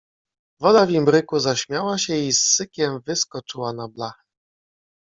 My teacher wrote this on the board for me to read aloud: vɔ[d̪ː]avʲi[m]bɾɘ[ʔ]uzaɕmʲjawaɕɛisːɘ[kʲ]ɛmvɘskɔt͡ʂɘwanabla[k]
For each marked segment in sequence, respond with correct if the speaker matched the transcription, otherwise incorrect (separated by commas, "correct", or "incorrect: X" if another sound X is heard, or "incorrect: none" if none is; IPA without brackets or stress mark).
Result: incorrect: d̪, correct, incorrect: k, correct, incorrect: x